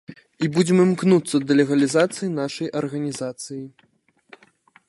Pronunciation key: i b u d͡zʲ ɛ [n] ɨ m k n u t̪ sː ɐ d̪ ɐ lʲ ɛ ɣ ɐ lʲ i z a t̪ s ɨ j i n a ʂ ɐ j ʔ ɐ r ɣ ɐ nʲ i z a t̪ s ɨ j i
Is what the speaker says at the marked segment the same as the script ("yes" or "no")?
no